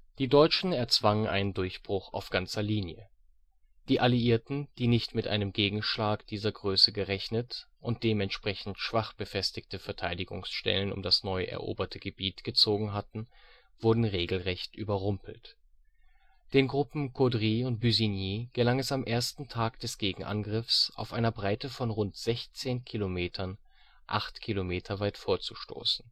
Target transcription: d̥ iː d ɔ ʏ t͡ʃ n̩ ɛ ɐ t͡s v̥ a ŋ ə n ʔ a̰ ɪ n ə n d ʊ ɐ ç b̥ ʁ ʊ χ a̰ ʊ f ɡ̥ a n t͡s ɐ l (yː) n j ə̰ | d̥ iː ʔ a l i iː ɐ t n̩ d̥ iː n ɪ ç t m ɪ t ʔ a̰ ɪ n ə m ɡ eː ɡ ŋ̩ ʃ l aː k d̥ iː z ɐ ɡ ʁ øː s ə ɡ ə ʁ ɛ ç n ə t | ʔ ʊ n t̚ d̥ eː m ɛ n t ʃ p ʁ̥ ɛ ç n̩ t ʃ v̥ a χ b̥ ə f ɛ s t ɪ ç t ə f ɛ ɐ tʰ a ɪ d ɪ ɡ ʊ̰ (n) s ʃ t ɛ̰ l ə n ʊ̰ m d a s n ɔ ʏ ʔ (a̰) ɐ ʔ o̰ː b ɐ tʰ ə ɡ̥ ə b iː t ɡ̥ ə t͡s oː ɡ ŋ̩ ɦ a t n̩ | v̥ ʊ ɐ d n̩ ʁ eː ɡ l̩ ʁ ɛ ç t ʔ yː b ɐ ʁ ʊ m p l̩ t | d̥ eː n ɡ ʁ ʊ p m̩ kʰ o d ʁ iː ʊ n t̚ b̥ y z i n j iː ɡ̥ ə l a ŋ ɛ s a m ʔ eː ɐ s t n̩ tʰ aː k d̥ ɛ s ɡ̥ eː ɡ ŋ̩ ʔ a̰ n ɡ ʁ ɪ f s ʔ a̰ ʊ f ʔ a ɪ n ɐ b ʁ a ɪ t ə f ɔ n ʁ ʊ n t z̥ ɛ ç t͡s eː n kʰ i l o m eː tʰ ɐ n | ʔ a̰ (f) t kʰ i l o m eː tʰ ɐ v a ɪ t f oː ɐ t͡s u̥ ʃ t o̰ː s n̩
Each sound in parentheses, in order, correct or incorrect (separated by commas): incorrect, incorrect, incorrect, incorrect